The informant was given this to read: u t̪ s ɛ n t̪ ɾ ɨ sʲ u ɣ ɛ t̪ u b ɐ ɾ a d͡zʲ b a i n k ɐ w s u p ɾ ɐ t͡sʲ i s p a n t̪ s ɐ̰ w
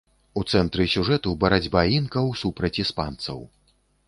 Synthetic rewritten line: u t̪ s ɛ n t̪ ɾ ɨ sʲ u ʐ ɛ t̪ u b ɐ ɾ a d͡zʲ b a i n k ɐ w s u p ɾ ɐ t͡sʲ i s p a n t̪ s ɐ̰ w